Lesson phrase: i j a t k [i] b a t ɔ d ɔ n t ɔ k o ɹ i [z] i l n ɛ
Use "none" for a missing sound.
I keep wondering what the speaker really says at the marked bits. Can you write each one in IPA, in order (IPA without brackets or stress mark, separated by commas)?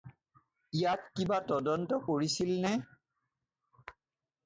i, s